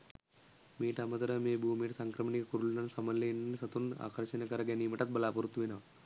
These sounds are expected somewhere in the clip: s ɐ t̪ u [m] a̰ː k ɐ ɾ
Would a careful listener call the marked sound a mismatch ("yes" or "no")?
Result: yes